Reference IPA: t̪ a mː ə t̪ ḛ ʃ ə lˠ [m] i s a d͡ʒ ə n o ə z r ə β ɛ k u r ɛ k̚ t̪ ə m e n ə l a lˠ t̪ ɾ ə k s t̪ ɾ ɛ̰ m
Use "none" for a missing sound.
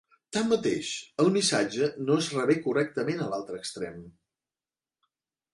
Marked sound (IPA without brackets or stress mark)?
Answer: m